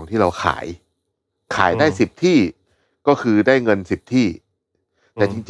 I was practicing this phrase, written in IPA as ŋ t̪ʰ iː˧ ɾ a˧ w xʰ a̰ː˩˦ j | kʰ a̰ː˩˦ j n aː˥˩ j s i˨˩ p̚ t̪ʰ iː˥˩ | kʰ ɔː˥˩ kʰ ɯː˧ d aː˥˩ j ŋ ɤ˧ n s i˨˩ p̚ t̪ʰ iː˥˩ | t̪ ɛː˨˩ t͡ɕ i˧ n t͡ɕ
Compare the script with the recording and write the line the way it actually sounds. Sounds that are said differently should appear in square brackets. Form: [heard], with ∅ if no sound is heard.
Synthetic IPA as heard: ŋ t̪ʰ [iː˥˩] ɾ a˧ w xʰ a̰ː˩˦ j | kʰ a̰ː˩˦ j [d] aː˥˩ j s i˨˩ p̚ t̪ʰ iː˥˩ | [k] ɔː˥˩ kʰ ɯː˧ d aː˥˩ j ŋ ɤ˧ n s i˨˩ p̚ t̪ʰ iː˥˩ | t̪ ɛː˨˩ t͡ɕ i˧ [ŋ] t͡ɕ